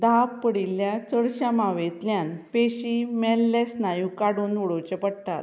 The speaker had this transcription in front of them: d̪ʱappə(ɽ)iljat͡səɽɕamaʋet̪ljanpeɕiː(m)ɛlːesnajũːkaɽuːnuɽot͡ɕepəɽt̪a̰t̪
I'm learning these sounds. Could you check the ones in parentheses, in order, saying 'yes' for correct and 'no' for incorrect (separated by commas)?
yes, yes